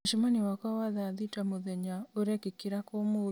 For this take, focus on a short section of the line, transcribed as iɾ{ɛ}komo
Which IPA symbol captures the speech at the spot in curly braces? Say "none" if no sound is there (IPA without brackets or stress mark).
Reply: a